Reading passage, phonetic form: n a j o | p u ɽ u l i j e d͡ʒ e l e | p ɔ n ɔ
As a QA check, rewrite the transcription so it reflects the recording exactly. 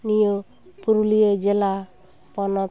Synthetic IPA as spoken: n i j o | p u ɾ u l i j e d͡ʒ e l a | p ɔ n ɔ

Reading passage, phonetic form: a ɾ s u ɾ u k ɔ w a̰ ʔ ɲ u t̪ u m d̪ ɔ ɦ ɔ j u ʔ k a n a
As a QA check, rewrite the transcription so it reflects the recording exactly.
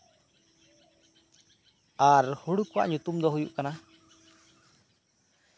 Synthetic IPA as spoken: a ɾ h u ɽ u k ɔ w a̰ ʔ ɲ u t̪ u m d̪ ɔ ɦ u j u ʔ k a n a

